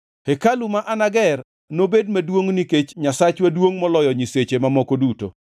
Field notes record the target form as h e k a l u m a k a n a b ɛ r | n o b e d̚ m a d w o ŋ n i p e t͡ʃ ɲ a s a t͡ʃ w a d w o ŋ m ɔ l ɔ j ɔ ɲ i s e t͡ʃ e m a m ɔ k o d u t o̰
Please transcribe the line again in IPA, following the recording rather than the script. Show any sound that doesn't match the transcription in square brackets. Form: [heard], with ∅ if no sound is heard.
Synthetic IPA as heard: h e k a l u m a [ʔ] a n a [ɡ] ɛ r | n o b e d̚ m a d w o ŋ n i [k] e t͡ʃ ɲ a s a t͡ʃ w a d w o ŋ m ɔ l ɔ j ɔ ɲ i s e t͡ʃ e m a m ɔ k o d u t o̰